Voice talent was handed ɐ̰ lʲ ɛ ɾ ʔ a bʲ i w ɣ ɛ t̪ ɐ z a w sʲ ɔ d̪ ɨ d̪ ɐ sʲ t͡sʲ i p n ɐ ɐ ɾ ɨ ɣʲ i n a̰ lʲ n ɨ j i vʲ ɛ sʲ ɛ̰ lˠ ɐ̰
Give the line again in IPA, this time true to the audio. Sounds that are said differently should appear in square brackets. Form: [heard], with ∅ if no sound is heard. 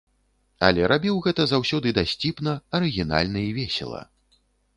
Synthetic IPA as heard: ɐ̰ lʲ ɛ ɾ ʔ a bʲ i w ɣ ɛ t̪ ɐ z a w sʲ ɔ d̪ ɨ d̪ [a] sʲ t͡sʲ i p n ɐ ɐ ɾ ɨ ɣʲ i n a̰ lʲ n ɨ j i vʲ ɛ sʲ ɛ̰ lˠ ɐ̰